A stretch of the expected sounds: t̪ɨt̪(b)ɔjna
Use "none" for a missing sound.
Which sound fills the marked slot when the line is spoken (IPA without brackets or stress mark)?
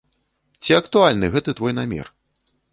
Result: v